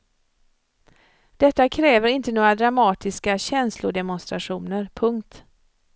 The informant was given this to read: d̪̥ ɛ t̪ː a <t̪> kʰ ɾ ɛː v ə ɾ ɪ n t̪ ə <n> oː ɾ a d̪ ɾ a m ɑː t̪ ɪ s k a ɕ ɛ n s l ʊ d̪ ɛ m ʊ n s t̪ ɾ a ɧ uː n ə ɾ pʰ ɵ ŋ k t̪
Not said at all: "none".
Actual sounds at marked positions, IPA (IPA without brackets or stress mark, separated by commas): none, n